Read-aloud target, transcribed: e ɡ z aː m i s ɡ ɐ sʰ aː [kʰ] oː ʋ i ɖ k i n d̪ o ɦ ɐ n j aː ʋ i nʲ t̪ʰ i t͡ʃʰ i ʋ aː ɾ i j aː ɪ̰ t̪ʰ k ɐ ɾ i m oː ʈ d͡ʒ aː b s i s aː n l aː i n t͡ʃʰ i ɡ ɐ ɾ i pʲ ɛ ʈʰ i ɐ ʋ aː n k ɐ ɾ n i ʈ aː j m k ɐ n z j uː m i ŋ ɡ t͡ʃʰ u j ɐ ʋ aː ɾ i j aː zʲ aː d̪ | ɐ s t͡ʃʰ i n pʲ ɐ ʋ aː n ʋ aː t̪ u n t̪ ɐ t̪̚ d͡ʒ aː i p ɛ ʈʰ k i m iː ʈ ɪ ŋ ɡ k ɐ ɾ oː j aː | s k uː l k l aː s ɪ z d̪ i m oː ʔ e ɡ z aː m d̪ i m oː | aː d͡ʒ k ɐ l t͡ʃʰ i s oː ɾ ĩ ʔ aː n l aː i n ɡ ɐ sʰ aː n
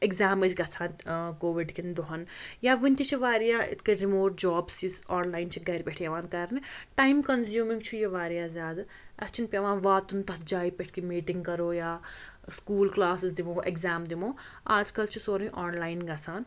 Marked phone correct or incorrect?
incorrect